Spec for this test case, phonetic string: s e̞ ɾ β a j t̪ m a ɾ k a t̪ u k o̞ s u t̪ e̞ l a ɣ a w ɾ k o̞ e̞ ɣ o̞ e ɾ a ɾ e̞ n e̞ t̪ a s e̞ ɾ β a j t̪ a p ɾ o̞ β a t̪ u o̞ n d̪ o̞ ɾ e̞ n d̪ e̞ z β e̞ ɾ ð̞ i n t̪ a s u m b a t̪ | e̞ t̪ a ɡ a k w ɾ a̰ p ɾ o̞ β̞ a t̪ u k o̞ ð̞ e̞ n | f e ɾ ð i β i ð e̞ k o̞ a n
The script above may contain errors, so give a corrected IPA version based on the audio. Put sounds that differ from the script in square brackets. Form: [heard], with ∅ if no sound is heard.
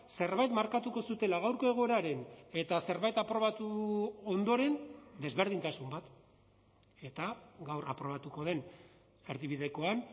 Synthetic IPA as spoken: s e̞ ɾ β a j t̪ m a ɾ k a t̪ u k o̞ s u t̪ e̞ l a ɣ a w ɾ k o̞ e̞ ɣ o̞ e ɾ a ɾ e̞ n e̞ t̪ a s e̞ ɾ β a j t̪ a p ɾ o̞ β a t̪ u o̞ n d̪ o̞ ɾ e̞ n d̪ e̞ z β e̞ ɾ ð̞ i n t̪ a s u m b a t̪ | e̞ t̪ a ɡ a [∅] w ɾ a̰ p ɾ o̞ β̞ a t̪ u k o̞ ð̞ e̞ n | f e ɾ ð i β i ð e̞ k o̞ a n